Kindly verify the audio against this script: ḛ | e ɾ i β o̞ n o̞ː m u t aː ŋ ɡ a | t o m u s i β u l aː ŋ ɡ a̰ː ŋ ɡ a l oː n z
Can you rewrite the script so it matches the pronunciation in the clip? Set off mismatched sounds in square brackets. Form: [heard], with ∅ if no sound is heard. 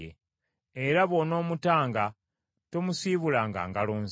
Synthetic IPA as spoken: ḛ | e ɾ [a] β o̞ n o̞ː m u t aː ŋ ɡ a | t o m u s i β u l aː ŋ ɡ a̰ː ŋ ɡ a l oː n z

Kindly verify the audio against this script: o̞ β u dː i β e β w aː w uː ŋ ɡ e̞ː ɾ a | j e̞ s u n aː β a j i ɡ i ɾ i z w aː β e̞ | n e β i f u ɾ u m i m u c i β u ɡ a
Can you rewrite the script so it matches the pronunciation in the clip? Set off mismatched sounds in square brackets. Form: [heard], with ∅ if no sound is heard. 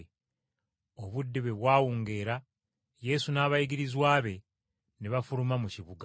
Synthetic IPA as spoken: o̞ β u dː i β e β w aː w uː ŋ ɡ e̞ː ɾ a | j e̞ s u n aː β a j i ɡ i ɾ i z w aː β e̞ | n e β [a] f u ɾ u m [a] m u c i β u ɡ a

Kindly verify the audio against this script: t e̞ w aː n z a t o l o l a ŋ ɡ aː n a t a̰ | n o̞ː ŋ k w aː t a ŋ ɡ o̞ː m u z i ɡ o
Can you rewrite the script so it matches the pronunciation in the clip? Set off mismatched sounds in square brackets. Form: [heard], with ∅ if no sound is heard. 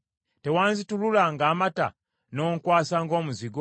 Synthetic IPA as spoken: t e̞ w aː n z [i] t [u] l [u] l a ŋ ɡ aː [m] a t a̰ | n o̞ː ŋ k w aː [s] a ŋ ɡ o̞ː m u z i ɡ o

